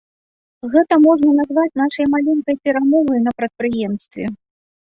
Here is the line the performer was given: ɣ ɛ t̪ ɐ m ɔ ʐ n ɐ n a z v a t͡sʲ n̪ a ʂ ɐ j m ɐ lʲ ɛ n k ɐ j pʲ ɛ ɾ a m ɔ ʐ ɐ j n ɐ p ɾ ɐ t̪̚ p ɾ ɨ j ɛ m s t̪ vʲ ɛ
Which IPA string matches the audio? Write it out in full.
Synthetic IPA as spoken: ɣ ɛ t̪ ɐ m ɔ ʐ n ɐ n a z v a t͡sʲ n̪ a ʂ ɐ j m a lʲ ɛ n k ɐ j pʲ ɛ ɾ a m ɔ v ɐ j n ɐ p ɾ ɐ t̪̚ p ɾ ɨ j ɛ m s t̪ vʲ ɛ